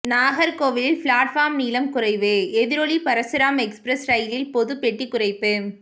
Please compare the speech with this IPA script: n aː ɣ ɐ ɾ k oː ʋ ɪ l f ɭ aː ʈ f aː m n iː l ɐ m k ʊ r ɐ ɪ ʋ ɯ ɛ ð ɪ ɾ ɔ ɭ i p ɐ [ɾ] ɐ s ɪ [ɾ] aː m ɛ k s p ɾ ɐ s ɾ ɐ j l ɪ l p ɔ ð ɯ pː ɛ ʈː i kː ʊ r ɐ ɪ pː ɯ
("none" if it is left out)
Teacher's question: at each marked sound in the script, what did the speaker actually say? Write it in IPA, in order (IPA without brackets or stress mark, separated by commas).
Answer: ɾ, ɾ